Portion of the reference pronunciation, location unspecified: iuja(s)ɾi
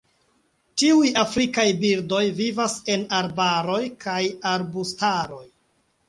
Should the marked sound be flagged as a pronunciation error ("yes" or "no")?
yes